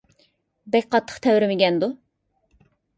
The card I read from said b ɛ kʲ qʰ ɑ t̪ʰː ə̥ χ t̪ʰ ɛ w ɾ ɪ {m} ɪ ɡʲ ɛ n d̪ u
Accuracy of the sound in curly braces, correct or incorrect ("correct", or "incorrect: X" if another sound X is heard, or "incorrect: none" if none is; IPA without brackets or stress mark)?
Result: correct